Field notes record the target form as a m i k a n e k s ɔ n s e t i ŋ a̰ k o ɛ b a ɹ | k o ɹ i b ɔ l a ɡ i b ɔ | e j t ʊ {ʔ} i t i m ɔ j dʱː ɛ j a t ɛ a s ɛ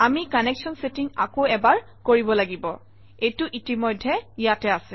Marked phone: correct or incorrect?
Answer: correct